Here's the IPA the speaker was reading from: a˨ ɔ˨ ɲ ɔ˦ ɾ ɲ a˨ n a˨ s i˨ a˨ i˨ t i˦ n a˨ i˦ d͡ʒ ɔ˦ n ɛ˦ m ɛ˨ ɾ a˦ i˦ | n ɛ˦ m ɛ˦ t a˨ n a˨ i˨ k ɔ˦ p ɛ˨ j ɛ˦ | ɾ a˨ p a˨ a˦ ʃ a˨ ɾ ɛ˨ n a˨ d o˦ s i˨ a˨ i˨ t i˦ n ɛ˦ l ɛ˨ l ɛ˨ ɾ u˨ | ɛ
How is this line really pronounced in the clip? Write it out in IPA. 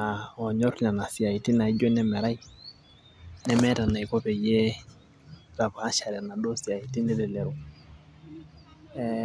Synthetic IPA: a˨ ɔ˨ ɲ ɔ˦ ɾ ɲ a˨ n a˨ s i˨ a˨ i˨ t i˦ n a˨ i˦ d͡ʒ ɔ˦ n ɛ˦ m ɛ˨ ɾ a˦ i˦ | n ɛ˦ m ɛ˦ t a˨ n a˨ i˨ k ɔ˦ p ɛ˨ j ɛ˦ | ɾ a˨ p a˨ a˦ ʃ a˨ ɾ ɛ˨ n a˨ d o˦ s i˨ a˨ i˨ t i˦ n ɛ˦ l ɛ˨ l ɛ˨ ɾ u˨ | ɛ